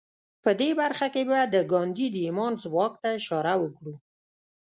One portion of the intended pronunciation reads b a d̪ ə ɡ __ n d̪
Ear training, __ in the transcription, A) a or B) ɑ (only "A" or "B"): B